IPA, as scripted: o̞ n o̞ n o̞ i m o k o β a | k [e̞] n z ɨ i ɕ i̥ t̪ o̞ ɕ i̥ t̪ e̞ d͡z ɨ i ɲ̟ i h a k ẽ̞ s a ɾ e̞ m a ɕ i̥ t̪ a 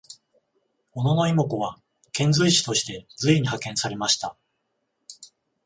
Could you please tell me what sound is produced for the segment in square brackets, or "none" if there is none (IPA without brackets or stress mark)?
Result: ẽ̞